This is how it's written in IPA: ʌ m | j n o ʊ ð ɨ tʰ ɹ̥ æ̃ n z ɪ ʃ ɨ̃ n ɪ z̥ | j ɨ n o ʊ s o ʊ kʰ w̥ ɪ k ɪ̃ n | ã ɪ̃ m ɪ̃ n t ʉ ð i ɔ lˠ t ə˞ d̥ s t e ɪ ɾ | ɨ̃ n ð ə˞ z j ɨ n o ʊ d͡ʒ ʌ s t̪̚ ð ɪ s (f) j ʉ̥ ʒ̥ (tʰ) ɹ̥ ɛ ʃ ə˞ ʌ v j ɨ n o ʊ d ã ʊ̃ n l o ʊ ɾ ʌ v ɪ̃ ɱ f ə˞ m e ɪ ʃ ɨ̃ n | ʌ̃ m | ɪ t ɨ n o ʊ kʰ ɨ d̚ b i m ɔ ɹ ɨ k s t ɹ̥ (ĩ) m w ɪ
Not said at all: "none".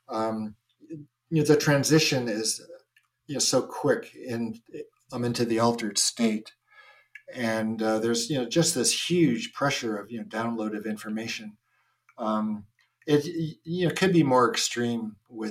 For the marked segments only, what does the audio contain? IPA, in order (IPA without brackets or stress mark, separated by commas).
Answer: h, pʰ, ĩ